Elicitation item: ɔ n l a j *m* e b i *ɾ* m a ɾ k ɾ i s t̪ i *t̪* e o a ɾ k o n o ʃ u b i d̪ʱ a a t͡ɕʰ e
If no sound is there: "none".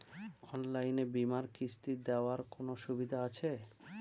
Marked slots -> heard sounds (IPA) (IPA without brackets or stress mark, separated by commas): n, none, d̪